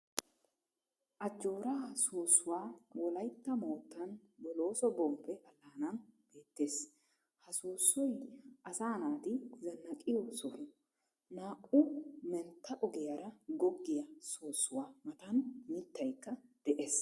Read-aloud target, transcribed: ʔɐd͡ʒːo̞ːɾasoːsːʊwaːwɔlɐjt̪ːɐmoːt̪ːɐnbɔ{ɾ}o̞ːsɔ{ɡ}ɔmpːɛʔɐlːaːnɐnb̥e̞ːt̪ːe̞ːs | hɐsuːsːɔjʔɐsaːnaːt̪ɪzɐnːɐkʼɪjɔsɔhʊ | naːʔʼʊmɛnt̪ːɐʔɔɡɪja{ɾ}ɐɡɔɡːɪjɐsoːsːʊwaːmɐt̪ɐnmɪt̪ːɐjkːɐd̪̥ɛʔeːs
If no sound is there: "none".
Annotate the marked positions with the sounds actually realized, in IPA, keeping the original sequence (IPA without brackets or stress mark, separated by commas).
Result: l, b, ɾ